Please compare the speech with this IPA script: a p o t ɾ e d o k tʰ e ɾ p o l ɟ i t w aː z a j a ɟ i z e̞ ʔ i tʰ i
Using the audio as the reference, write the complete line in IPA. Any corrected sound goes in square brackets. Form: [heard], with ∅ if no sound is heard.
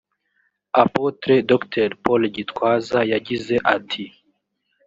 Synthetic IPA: a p o t ɾ e d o k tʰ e ɾ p o l ɟ i t w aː z a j a ɟ i z e̞ ʔ [a] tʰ i